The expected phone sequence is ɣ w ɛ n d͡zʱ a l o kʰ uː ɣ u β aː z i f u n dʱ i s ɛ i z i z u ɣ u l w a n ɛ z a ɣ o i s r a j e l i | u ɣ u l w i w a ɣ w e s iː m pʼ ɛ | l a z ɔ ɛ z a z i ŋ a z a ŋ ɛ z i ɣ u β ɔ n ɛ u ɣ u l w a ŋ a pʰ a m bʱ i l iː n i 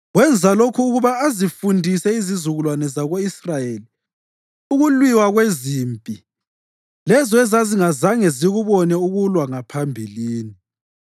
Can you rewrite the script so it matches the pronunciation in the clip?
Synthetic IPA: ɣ w ɛ n d͡zʱ a l o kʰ uː ɣ u β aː z i f u n dʱ i s ɛ i z i z u ɣ u l w a n ɛ z a ɣ o i s r a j e l i | u ɣ u l w i w a ɣ w e z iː m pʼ i | l ɛ z ɔ ɛ z a z i ŋ a z a ŋ ɛ z i ɣ u β ɔ n ɛ u ɣ u l w a ŋ a pʰ a m bʱ i l iː n i